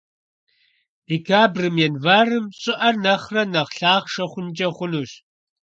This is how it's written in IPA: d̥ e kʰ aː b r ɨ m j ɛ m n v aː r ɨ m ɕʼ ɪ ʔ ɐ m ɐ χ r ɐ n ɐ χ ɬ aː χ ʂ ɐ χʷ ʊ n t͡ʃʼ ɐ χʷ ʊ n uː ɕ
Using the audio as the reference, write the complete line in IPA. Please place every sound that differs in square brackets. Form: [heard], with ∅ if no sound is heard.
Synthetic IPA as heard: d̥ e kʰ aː b r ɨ m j ɛ [∅] n v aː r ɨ m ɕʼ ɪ ʔ ɐ [n] ɐ χ r ɐ n ɐ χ ɬ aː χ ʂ ɐ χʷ ʊ n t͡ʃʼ ɐ χʷ ʊ n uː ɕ